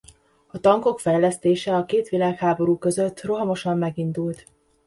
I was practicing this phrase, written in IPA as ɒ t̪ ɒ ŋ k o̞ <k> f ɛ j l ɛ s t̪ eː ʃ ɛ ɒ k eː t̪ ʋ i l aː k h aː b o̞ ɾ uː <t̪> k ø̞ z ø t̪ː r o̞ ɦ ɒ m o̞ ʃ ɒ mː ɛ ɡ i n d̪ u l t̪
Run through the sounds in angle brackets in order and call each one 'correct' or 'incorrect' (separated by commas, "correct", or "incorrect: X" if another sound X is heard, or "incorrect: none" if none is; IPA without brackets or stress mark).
correct, incorrect: none